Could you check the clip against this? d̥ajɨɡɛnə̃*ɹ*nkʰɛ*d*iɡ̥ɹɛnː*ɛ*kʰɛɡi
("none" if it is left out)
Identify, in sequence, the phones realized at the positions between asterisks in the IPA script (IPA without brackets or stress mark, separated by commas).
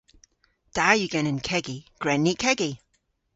none, ɡ, i